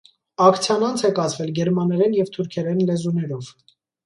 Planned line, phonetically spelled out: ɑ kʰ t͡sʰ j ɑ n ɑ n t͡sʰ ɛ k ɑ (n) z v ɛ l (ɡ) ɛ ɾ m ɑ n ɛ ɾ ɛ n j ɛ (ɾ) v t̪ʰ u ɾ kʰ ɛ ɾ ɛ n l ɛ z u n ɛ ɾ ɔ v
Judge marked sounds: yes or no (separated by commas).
no, yes, no